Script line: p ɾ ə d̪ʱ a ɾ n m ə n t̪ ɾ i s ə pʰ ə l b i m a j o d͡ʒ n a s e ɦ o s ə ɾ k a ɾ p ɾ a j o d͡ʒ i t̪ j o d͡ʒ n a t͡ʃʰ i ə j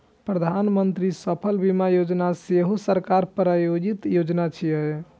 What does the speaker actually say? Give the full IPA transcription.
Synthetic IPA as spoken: p ɾ ə d̪ʱ a n m ə n t̪ ɾ i s ə pʰ ə l b i m a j o d͡ʒ n a s e ɦ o s ə ɾ k a ɾ p ɾ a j o d͡ʒ i t̪ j o d͡ʒ n a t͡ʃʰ i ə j

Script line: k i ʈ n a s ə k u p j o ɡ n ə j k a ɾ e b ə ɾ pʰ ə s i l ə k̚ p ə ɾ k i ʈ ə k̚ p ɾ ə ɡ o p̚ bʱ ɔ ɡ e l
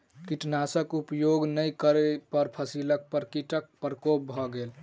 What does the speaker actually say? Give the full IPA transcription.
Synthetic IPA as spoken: k i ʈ n a s ə k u p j o ɡ n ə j k ə ɾ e p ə ɾ pʰ ə s i l ə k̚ p ə ɾ k i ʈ ə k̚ p ɾ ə k o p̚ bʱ ɔ ɡ e l

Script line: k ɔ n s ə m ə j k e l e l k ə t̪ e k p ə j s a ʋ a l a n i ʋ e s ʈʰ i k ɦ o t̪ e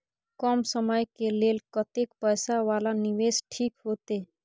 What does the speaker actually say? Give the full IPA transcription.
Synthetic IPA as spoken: k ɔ m s ə m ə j k e l e l k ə t̪ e k p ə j s a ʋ a l a n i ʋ e s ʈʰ i k ɦ o t̪ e

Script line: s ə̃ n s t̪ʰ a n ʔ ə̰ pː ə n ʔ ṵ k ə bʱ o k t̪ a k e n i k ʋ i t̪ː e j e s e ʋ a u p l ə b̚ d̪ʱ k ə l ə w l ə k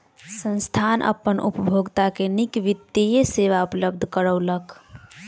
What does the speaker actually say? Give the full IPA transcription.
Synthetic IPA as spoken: s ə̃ n s t̪ʰ a n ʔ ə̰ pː ə n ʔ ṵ p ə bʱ o ɡ t̪ a k e n i k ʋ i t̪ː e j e s e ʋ a u p l ə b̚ d̪ʱ k ə ɾ ə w l ə k

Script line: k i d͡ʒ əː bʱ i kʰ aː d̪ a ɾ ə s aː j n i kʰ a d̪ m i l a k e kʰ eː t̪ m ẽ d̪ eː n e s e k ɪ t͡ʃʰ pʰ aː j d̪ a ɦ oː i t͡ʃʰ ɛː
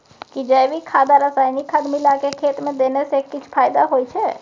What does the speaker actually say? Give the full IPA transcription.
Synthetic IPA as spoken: k i d͡ʒ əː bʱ i kʰ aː d̪ a ɾ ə s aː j n i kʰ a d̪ m i l a k e kʰ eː t̪ m ẽ d̪ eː n e s e k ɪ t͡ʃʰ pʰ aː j d̪ a ɦ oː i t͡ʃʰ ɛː

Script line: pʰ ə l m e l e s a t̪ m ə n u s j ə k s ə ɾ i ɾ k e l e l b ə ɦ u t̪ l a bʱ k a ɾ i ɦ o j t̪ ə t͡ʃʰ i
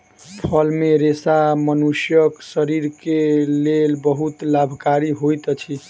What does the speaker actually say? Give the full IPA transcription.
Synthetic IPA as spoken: pʰ ə l m e ɾ e s a m ə n u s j ə k s ə ɾ i ɾ k e l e l b ə ɦ u t̪ l a bʱ k a ɾ i ɦ o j t̪ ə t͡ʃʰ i

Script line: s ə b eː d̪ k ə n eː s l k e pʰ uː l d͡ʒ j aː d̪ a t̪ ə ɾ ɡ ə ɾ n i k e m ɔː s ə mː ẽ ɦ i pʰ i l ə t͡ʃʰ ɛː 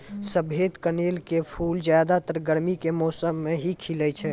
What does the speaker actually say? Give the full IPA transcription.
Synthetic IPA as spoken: s ə b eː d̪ k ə n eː l k e pʰ uː l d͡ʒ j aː d̪ a t̪ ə ɾ ɡ ə ɾ m i k e m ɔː s ə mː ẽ ɦ i kʰ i l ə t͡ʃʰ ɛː

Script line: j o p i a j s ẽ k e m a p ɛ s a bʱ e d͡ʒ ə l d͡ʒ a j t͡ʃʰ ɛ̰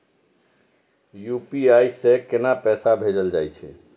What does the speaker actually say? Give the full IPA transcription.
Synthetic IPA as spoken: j u p i a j s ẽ k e n a p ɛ s a bʱ e d͡ʒ ə l d͡ʒ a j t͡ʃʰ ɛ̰

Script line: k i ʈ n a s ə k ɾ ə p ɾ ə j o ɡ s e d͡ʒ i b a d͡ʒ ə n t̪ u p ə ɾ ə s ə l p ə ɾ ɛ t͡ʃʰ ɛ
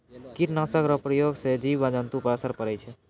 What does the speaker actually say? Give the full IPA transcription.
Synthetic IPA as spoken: k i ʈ n a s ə k ɾ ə p ɾ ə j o ɡ s e d͡ʒ i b a d͡ʒ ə n t̪ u p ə ɾ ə s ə ɾ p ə ɾ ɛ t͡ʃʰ ɛ

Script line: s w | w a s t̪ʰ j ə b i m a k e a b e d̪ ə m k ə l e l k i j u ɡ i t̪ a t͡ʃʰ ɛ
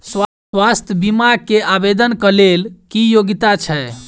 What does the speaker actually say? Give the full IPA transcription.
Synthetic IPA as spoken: s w | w a s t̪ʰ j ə b i m a k e a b e d̪ ə n k ə l e l k i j o ɡ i t̪ a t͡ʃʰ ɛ

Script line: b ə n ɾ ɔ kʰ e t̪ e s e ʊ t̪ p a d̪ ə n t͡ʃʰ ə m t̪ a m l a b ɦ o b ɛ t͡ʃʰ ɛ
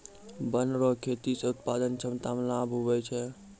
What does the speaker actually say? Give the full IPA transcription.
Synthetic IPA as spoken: b ə n ɾ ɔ kʰ e t̪ i s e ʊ t̪ p a d̪ ə n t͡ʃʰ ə m t̪ a m l a b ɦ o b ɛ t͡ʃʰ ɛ

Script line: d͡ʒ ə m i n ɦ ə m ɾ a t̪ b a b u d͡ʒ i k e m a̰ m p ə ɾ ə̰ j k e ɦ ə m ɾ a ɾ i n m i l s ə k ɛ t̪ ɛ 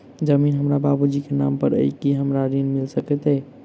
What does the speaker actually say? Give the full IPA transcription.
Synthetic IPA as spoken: d͡ʒ ə m i n ɦ ə m ɾ a b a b u d͡ʒ i k e n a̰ m p ə ɾ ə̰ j k i ɦ ə m ɾ a ɾ i n m i l s ə k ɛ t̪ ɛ

